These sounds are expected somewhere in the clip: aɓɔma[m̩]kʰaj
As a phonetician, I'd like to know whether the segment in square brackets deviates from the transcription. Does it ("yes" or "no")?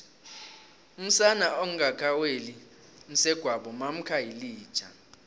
no